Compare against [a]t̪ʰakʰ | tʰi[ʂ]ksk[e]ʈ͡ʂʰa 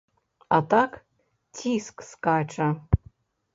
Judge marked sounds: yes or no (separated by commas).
yes, no, no